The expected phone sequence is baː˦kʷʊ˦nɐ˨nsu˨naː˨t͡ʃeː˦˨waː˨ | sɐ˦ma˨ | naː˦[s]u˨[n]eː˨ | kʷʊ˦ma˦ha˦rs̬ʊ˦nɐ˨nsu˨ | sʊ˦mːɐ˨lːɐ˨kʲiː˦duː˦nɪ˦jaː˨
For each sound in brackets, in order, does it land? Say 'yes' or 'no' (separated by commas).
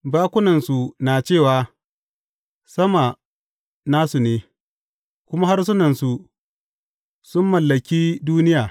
yes, yes